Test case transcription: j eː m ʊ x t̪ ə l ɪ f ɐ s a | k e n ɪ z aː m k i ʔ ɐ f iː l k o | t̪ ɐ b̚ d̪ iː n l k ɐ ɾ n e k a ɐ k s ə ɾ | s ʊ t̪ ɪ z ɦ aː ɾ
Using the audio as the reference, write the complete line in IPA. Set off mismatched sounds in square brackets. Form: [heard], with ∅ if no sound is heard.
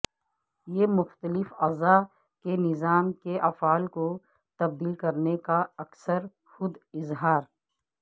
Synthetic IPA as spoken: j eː m ʊ x t̪ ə l ɪ f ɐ [z] a | k e n ɪ z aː m k [e] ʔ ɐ f [aː] l k o | t̪ ɐ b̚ d̪ iː [∅] l k ɐ ɾ n e k a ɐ k s ə ɾ | [x] ʊ [d̪] ɪ z ɦ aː ɾ